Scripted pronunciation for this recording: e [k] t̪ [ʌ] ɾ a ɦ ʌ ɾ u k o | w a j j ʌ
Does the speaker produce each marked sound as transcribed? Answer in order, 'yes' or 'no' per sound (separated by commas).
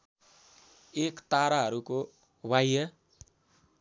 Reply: yes, no